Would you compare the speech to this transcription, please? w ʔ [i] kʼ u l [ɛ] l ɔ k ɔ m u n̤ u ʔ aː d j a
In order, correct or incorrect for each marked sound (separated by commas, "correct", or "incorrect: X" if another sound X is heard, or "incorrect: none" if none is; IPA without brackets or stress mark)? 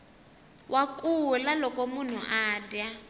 incorrect: a, incorrect: a